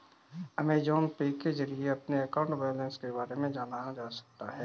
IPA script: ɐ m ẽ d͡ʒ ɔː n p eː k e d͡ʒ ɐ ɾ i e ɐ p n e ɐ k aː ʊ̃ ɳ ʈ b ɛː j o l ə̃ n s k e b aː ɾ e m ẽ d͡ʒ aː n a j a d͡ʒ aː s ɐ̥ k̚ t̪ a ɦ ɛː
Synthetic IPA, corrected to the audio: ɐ m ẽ d͡ʒ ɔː n p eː k e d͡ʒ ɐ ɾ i e ɐ p n e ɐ k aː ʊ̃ ɳ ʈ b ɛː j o l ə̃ n s k e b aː ɾ e m ẽ d͡ʒ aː n a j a d͡ʒ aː s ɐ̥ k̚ t̪ a ɦ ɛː